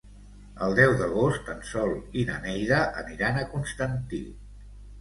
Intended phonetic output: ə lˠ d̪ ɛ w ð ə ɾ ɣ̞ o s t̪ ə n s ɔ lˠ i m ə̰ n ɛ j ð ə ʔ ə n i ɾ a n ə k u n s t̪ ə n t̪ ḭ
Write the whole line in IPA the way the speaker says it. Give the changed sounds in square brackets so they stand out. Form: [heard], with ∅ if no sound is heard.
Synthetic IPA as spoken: ə lˠ d̪ ɛ w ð ə [∅] ɣ̞ o s t̪ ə n s ɔ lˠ i [n] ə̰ n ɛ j ð ə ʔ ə n i ɾ a n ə k u n s t̪ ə n t̪ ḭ